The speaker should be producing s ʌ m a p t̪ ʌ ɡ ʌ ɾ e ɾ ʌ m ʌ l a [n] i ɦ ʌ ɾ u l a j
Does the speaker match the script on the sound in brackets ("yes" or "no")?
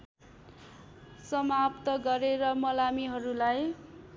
no